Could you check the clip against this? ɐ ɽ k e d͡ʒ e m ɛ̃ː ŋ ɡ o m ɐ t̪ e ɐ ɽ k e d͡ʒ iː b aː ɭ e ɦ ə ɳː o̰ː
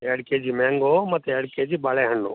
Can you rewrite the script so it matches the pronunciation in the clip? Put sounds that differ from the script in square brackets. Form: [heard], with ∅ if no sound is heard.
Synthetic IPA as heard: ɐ ɽ k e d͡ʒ [i] m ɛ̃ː ŋ ɡ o m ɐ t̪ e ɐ ɽ k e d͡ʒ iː b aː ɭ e ɦ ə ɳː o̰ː